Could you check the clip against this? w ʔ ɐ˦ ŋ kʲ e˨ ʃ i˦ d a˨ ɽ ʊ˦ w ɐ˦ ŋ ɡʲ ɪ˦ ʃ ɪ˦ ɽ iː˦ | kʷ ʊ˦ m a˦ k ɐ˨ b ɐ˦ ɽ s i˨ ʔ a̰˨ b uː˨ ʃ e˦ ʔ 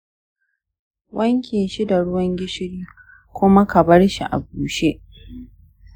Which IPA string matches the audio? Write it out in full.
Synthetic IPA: w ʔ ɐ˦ ŋ kʲ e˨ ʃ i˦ d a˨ ɽ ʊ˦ w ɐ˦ ŋ ɡʲ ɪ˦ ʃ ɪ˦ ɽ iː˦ | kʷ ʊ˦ m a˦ k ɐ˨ b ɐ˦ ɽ ʃ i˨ ʔ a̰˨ b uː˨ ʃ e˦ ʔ